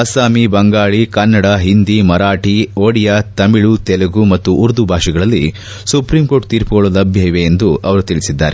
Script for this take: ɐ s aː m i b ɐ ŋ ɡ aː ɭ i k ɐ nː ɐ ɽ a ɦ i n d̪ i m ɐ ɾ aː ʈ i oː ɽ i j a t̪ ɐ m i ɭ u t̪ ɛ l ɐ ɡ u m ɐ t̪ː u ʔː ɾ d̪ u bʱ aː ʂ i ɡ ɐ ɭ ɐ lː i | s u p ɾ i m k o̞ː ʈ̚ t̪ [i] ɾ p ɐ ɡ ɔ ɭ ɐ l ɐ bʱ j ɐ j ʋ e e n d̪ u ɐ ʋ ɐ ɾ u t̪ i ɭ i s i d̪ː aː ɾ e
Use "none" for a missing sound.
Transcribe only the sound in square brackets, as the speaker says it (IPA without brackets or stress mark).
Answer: iː